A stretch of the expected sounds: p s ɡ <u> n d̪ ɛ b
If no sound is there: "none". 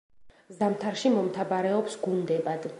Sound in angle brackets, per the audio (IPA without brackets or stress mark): u